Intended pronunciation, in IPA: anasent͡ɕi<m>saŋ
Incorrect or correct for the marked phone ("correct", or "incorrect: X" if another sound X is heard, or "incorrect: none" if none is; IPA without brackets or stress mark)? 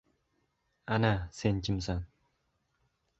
correct